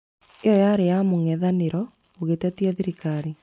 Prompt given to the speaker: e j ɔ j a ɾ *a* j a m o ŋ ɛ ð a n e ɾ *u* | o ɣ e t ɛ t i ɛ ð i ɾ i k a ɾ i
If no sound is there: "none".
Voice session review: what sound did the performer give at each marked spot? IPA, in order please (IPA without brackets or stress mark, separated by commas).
e, ɔ